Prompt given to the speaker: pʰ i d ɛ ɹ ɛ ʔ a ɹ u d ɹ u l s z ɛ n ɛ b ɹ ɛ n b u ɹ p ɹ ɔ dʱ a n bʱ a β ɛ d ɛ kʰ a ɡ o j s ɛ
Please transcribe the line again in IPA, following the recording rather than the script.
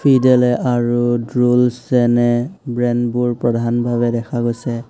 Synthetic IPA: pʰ i d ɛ l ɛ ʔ a ɹ u d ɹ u l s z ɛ n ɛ b ɹ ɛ n b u ɹ p ɹ ɔ dʱ a n bʱ a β ɛ d ɛ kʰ a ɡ o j s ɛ